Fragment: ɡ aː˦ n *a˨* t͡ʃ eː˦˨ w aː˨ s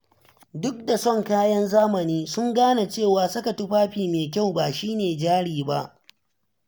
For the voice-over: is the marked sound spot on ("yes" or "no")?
yes